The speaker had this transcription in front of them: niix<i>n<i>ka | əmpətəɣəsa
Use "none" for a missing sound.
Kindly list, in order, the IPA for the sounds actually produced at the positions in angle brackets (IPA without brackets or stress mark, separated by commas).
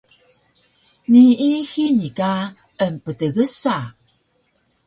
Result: i, i